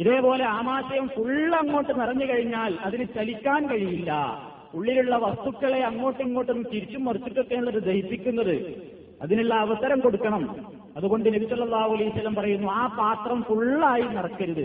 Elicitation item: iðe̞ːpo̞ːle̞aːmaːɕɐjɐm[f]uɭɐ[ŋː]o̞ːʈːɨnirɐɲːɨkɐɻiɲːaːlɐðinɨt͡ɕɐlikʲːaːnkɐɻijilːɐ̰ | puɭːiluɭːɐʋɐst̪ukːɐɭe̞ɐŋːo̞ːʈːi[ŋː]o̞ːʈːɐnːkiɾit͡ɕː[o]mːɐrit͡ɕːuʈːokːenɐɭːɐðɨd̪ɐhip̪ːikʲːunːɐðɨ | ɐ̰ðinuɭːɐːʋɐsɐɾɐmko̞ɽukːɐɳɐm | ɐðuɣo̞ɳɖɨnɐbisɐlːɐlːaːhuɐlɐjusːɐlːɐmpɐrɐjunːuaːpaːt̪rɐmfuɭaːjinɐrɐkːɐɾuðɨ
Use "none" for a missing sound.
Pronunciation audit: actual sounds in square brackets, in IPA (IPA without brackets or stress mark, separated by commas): f, ŋː, ŋː, u